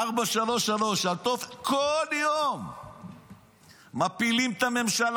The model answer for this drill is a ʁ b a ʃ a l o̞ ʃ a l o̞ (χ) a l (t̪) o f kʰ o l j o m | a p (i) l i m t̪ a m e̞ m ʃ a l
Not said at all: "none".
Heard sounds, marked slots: ʃ, t̪, i

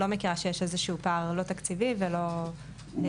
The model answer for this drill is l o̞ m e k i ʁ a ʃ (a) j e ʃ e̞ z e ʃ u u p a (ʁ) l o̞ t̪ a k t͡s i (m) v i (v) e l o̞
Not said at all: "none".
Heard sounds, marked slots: e, ʁ, none, v

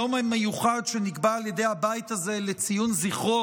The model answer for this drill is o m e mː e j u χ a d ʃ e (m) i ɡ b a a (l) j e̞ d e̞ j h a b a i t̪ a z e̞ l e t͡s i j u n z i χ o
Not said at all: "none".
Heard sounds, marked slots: n, l

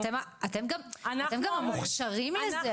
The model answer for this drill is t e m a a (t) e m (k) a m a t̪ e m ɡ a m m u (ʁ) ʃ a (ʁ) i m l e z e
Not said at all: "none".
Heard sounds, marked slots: t, ɡ, χ, ʁ

